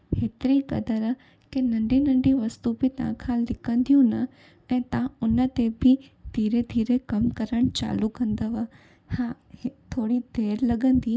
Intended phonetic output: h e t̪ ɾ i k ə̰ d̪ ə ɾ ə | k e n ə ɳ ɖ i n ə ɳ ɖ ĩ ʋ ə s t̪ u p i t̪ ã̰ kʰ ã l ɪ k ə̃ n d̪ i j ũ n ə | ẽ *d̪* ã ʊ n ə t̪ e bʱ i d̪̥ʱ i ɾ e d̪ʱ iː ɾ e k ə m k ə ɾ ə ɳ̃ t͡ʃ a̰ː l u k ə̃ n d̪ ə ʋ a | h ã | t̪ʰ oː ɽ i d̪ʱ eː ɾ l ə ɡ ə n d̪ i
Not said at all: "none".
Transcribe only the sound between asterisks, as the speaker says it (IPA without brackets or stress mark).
t̪